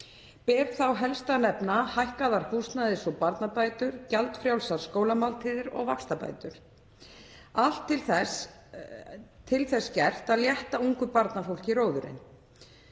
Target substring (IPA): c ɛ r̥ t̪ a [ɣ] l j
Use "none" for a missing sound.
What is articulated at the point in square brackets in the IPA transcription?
ð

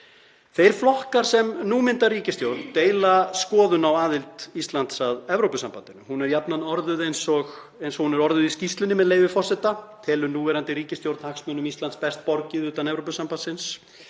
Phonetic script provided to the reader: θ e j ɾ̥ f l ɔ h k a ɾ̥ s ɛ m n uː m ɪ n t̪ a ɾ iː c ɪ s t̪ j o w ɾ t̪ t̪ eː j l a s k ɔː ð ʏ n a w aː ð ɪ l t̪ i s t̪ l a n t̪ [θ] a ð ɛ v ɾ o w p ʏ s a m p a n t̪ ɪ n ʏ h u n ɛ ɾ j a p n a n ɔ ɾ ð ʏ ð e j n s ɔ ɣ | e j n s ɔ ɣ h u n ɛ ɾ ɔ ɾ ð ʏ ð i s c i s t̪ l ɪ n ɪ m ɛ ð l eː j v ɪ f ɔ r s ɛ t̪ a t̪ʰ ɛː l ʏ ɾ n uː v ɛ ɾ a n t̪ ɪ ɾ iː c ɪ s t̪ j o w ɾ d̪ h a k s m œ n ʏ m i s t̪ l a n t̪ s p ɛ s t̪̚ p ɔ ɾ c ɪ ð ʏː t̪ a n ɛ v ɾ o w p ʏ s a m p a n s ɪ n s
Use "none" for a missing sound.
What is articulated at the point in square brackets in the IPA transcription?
s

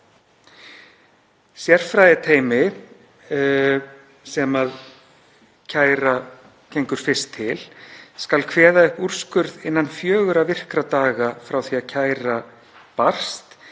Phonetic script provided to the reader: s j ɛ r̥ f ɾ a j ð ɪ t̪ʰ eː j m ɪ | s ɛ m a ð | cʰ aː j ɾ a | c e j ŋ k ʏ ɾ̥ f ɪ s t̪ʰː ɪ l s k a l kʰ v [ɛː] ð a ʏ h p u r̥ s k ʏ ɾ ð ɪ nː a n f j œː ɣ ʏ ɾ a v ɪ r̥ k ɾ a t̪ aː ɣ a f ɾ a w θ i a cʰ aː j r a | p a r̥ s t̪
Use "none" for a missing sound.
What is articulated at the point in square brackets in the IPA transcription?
ɛː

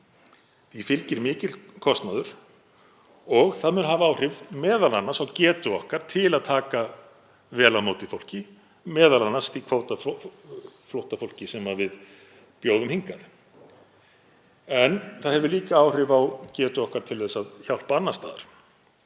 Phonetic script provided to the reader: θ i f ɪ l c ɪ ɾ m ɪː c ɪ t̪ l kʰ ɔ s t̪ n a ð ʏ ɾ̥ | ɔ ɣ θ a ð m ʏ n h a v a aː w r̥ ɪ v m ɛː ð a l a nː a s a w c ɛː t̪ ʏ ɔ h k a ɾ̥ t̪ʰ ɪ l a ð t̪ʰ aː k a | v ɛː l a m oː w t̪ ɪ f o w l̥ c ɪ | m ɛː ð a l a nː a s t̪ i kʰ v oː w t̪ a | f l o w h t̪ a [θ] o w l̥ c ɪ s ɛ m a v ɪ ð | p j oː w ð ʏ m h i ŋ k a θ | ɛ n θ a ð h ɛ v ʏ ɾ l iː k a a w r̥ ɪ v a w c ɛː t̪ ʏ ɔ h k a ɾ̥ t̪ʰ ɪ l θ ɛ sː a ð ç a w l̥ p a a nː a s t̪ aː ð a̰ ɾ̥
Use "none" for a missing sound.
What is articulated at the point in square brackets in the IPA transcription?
f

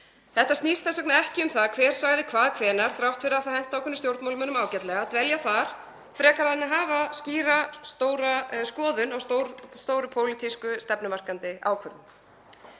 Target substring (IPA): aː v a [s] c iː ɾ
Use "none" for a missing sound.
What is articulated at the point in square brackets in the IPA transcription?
s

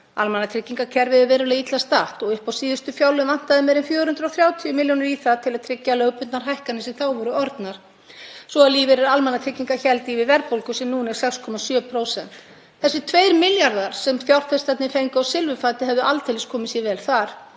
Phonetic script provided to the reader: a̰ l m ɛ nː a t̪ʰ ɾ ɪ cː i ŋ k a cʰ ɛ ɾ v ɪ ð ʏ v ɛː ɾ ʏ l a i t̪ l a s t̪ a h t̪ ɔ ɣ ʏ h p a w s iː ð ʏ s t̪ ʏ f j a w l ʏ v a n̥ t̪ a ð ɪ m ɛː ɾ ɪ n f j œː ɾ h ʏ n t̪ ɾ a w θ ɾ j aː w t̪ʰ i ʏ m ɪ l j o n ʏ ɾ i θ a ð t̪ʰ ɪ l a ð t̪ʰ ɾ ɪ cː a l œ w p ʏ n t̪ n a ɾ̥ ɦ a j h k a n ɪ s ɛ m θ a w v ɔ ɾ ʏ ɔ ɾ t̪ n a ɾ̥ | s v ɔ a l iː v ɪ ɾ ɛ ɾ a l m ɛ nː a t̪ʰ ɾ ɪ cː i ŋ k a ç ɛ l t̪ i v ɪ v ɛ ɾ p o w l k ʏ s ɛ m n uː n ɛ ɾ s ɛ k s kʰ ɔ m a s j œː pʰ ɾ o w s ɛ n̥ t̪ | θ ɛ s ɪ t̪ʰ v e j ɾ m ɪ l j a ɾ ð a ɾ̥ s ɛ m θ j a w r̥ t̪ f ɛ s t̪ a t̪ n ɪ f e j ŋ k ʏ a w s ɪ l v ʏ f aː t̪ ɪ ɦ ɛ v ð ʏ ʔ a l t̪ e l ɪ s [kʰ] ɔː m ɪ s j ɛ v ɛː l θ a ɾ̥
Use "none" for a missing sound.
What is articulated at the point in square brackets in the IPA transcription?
kʰ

